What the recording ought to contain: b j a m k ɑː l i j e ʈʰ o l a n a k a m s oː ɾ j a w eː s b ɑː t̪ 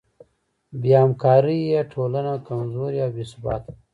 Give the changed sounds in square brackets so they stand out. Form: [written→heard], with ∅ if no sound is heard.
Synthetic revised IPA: b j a m k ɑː [l→ɾ] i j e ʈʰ o l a n a k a m [s→z] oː ɾ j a [w→b] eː s b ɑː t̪